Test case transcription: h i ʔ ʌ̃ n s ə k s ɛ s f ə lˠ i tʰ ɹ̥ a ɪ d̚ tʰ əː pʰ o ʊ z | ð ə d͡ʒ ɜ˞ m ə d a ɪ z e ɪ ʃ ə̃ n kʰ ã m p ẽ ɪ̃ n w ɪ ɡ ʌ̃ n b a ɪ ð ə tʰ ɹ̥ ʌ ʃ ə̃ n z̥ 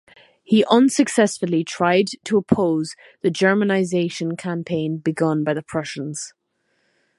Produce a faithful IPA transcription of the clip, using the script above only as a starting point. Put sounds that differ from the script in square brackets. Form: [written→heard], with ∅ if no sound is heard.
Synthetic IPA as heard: h i ʔ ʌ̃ n s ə k s ɛ s f ə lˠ i tʰ ɹ̥ a ɪ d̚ tʰ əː pʰ o ʊ z | ð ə d͡ʒ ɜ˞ m ə [d→n] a ɪ z e ɪ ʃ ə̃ n kʰ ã m [p→pʰ] ẽ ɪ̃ n [w→b] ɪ ɡ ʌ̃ n b a ɪ ð ə [tʰ→pʰ] ɹ̥ ʌ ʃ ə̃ n z̥